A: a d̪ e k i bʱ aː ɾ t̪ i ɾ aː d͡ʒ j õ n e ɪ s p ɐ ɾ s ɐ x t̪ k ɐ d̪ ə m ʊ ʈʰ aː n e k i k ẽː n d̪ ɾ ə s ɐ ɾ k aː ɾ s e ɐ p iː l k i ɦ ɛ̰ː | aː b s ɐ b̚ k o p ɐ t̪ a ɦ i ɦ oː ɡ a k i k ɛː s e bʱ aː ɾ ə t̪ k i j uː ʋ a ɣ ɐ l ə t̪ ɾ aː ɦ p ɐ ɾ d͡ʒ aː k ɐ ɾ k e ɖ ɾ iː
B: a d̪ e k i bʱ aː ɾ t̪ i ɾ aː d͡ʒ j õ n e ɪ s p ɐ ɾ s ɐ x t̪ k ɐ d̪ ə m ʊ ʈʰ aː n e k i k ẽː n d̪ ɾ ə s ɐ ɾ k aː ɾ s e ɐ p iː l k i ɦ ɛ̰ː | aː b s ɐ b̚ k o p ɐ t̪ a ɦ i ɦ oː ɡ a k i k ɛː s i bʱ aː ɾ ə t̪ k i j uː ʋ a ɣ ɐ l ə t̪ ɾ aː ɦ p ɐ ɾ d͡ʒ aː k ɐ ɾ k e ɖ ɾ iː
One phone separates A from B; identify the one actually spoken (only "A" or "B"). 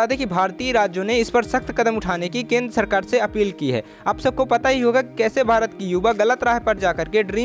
A